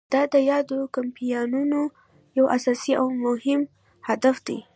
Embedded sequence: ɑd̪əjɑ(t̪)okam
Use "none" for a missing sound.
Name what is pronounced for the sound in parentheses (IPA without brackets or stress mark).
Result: d̪